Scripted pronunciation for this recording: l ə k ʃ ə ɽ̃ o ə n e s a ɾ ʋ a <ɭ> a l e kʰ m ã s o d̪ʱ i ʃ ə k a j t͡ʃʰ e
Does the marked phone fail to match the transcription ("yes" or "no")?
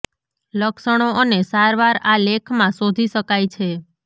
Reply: yes